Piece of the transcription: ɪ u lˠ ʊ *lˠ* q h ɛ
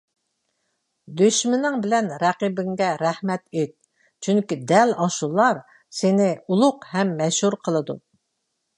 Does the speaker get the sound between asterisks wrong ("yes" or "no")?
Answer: yes